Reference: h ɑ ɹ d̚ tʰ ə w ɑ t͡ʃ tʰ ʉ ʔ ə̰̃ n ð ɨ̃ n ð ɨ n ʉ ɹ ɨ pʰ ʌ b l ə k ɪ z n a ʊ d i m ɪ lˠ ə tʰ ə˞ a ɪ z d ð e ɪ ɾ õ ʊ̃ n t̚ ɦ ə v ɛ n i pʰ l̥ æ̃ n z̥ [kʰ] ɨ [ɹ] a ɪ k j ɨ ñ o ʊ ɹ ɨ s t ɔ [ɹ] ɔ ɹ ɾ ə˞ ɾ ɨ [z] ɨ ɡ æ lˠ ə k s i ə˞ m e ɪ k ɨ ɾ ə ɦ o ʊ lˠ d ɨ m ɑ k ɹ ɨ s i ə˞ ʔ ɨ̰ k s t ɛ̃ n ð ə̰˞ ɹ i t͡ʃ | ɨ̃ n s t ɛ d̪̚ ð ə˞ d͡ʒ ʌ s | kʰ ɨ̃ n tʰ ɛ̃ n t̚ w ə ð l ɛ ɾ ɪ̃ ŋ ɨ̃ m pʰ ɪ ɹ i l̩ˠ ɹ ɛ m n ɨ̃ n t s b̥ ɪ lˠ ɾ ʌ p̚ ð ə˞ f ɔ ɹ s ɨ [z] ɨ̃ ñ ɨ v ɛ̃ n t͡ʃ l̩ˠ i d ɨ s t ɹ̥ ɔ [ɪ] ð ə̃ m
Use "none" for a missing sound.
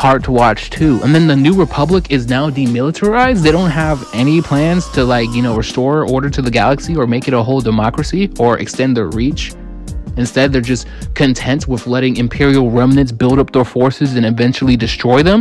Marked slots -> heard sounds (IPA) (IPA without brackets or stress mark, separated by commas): tʰ, l, ɹ, ð, z, ɪ